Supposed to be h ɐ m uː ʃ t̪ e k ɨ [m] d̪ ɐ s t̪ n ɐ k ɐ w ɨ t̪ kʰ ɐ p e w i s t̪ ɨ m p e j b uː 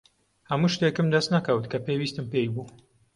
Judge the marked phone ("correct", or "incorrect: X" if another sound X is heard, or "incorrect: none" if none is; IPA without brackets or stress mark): correct